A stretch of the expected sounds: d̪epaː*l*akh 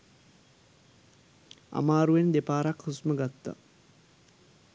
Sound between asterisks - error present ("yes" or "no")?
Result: yes